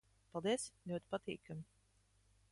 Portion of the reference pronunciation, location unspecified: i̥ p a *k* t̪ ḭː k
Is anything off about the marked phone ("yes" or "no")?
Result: yes